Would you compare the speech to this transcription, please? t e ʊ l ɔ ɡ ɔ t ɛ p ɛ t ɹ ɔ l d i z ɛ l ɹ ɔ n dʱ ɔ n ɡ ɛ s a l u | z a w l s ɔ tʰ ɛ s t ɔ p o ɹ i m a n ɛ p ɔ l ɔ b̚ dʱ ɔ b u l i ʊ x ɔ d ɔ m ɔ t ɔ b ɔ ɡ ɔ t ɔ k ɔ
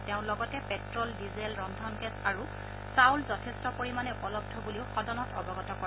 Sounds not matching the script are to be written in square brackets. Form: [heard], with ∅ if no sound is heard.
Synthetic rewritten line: t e [ʊ̃] l ɔ ɡ ɔ t ɛ p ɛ t ɹ ɔ l d i z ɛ l ɹ ɔ n dʱ ɔ n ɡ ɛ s a [ɹ] u | [s] a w l [z] ɔ tʰ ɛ s t ɔ p o ɹ i m a n ɛ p ɔ l ɔ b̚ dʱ ɔ b u l i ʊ x ɔ d ɔ [n] ɔ t ɔ b ɔ ɡ ɔ t ɔ k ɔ

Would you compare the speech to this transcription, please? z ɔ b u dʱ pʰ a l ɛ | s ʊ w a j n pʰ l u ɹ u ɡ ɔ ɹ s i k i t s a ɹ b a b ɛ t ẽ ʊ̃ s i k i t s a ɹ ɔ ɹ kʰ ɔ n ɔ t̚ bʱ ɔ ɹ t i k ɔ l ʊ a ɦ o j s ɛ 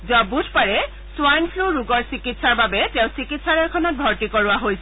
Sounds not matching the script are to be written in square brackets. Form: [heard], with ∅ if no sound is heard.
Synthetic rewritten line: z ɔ b u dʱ [p] a [ɹ] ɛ | s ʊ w a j n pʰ l u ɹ u ɡ ɔ ɹ s i k i t s a ɹ b a b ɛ t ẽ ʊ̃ s i k i t s a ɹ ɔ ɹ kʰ ɔ n ɔ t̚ bʱ ɔ ɹ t i k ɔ [ɹ] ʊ a ɦ o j s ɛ

